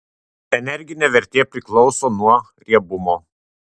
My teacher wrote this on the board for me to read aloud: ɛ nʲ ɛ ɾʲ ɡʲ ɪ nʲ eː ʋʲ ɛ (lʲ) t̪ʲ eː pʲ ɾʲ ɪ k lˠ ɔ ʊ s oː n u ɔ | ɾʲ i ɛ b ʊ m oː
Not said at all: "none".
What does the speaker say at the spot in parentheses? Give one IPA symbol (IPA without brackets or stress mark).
ɾʲ